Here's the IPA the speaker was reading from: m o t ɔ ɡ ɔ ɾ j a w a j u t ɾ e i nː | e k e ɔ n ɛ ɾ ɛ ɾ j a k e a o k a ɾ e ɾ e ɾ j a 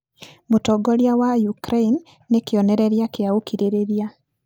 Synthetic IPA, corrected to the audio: m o t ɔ ɡ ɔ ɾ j a w a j u k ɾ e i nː | e k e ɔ n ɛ ɾ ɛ ɾ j a k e a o k i ɾ e ɾ e ɾ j a